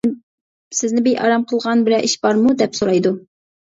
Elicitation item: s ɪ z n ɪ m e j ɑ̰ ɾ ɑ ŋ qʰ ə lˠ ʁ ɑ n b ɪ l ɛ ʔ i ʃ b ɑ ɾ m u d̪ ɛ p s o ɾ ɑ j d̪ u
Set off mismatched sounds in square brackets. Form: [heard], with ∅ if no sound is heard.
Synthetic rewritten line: s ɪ z n ɪ [b] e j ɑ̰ ɾ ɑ [m] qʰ ə lˠ ʁ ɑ n b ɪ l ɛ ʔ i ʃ b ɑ ɾ m u d̪ ɛ p s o ɾ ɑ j d̪ u